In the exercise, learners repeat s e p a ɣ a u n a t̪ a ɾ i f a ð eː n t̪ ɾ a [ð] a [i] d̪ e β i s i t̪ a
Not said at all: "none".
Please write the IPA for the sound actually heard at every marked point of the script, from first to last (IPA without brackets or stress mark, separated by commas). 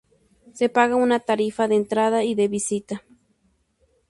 ð, i